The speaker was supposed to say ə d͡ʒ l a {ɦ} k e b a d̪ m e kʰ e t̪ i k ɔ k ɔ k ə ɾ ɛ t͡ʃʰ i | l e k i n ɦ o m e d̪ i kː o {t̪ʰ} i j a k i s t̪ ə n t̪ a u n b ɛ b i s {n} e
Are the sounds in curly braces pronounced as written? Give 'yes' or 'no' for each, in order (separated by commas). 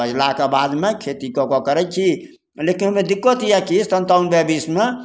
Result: no, no, no